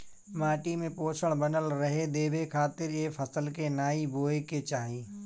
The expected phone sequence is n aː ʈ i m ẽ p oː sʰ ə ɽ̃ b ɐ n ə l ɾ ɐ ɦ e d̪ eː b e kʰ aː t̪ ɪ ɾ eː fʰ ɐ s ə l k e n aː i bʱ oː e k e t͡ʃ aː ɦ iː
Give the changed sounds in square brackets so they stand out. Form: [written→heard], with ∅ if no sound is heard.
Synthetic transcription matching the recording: [n→m] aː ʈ i m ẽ p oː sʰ ə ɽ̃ b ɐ n ə l ɾ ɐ ɦ e d̪ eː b e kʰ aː t̪ ɪ ɾ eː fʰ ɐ s ə l k e n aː i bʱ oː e k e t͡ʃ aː ɦ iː